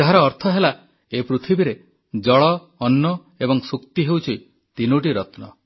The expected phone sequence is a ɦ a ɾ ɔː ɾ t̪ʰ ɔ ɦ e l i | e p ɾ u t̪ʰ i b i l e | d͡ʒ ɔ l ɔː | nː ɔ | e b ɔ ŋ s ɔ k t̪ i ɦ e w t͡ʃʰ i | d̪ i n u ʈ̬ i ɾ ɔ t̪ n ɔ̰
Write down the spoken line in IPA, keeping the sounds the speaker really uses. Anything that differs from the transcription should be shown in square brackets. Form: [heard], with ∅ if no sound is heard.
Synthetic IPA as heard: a ɦ a ɾ ɔː ɾ t̪ʰ ɔ ɦ e l [a] | e p ɾ u t̪ʰ i b i [ɾ] e | d͡ʒ ɔ [ɭ] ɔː | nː ɔ | e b ɔ ŋ s [u] k t̪ i ɦ e w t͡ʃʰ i | [t̪] i n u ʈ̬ i ɾ ɔ t̪ n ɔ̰